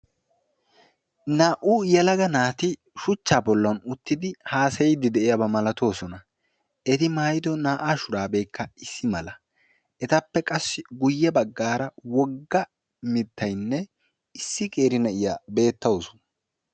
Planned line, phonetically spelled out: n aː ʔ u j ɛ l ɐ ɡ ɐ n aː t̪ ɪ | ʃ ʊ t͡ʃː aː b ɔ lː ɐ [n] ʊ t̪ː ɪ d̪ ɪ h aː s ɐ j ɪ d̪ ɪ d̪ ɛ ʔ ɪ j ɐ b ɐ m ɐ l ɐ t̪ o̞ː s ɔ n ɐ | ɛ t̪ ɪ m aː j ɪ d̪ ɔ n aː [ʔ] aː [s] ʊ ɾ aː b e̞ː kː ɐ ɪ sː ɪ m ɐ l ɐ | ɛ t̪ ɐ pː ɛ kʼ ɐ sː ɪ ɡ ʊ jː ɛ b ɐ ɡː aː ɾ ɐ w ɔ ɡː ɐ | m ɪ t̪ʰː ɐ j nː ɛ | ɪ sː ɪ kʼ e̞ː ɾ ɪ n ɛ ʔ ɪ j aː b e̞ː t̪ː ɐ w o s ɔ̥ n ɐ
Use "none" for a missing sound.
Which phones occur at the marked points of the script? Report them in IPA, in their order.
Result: n, ʔ, ʃ

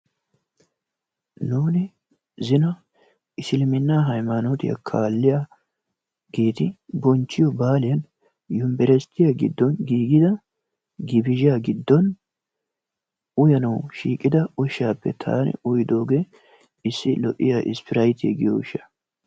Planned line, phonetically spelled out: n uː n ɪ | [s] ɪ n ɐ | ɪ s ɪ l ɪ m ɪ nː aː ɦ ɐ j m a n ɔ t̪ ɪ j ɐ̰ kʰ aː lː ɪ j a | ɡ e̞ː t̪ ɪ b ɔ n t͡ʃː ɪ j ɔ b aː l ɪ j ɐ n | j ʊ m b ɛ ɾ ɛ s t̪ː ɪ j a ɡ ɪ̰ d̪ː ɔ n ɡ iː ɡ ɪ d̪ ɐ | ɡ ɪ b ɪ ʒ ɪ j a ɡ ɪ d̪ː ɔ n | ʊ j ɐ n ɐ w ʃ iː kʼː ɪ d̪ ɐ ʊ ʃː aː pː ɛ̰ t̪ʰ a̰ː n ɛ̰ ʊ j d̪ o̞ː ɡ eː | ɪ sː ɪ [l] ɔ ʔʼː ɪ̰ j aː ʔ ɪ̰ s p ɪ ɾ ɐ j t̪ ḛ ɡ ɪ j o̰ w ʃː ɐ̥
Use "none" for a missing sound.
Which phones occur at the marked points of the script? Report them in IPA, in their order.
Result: z, l

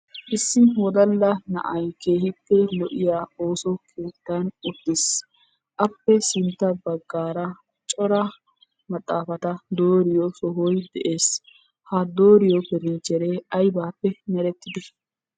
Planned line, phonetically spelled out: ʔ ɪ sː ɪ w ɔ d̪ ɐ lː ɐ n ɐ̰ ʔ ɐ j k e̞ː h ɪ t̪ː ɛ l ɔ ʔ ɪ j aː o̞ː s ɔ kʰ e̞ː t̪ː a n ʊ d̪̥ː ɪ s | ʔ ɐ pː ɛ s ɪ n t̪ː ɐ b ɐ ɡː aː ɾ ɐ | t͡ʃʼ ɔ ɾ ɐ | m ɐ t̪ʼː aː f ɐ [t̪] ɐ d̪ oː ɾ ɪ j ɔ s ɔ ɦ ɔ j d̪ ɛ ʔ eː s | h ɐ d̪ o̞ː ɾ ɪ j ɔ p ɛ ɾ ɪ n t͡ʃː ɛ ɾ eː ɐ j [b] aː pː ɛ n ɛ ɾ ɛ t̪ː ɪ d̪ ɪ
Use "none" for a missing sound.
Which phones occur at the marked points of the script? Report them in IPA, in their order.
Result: t̪, b

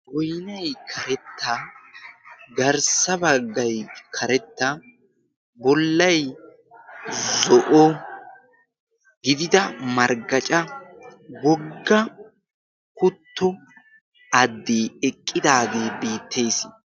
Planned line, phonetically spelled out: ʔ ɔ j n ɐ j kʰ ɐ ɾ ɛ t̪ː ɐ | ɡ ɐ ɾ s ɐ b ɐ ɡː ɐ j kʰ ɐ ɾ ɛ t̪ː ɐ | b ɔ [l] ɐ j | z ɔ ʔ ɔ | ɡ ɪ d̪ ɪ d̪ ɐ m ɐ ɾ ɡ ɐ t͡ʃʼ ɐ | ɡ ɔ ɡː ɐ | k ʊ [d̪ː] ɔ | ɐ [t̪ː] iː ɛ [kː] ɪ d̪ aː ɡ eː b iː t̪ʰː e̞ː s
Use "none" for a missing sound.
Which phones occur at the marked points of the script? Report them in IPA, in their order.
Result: lː, t̪ː, d̪ː, kʼː

